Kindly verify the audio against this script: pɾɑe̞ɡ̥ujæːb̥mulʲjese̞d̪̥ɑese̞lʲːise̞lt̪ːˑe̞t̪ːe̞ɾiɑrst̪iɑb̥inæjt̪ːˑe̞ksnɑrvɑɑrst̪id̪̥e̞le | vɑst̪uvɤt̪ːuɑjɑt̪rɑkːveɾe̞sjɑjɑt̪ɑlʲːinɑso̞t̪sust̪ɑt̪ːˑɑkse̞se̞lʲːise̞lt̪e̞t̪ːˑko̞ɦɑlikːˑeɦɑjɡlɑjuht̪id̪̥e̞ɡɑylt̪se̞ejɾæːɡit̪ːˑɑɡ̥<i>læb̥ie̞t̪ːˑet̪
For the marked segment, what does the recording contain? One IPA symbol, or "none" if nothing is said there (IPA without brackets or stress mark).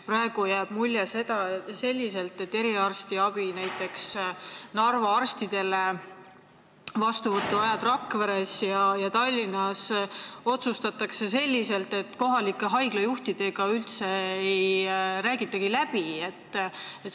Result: i